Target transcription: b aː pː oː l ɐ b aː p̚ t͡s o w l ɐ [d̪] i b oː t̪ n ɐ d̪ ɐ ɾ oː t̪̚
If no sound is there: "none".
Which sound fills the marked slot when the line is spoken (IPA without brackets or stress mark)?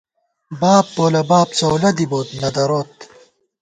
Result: d̪